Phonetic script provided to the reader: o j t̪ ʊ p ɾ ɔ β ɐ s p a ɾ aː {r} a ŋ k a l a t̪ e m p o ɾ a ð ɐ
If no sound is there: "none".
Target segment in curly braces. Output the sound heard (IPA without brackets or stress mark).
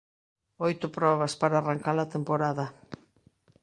r